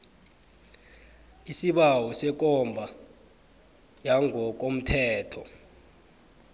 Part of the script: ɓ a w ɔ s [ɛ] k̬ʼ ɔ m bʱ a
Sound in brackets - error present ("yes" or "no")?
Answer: no